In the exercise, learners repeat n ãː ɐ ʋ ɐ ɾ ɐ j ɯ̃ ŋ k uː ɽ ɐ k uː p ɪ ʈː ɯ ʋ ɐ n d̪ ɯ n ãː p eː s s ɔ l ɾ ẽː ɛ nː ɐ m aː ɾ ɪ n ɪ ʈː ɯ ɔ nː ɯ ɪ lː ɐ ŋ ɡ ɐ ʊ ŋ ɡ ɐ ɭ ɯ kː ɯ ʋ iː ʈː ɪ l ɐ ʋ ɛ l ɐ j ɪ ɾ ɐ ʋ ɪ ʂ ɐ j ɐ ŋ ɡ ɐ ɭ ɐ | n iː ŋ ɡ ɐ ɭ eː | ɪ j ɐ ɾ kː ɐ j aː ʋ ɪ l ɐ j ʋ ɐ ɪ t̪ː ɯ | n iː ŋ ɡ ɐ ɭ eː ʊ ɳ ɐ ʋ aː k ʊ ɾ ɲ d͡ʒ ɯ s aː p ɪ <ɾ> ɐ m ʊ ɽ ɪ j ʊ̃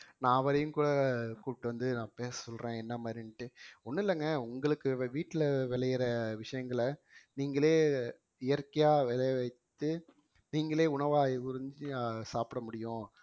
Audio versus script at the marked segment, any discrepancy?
yes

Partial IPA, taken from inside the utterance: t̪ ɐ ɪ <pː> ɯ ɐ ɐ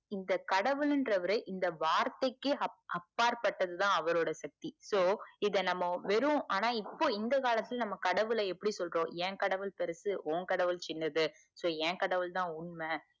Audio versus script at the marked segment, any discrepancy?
yes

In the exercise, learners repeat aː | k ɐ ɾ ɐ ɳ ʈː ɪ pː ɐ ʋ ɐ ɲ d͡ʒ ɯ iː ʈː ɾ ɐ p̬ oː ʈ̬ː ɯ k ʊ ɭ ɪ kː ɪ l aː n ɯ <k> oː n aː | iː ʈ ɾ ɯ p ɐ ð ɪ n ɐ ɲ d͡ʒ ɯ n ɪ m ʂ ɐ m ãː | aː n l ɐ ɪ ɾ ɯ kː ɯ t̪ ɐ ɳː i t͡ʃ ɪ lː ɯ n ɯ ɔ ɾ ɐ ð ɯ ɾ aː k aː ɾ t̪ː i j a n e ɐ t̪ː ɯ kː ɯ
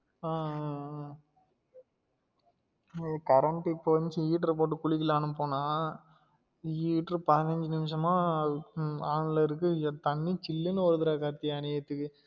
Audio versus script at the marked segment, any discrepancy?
yes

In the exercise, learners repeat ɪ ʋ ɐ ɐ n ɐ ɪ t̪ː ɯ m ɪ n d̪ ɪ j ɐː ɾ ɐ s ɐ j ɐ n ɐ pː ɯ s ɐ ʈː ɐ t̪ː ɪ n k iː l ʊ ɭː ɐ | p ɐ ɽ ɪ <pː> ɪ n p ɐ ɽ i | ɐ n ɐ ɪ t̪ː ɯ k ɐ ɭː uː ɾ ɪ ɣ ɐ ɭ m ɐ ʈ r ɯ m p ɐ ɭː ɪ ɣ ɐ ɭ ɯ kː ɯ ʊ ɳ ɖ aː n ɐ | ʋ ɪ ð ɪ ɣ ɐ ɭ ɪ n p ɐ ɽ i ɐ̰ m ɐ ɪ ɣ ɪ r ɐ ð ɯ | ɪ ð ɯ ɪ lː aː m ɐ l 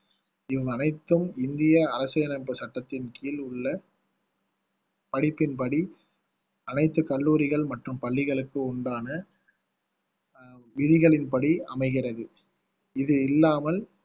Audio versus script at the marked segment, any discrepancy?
no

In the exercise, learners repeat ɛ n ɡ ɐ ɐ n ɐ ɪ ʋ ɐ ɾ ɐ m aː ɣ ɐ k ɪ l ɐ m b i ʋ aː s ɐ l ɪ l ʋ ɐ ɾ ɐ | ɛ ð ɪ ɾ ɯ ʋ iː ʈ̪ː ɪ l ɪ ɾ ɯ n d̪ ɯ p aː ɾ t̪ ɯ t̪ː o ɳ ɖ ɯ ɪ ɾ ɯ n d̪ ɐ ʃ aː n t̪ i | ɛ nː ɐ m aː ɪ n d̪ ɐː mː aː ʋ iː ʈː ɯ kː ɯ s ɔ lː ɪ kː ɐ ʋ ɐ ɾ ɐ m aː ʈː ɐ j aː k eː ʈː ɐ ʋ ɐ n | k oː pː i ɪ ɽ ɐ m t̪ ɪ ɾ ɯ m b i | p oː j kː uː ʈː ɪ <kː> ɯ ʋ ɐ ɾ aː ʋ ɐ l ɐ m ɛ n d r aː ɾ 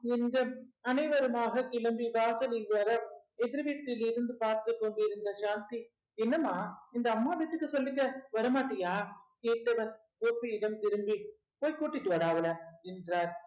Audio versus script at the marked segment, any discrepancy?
yes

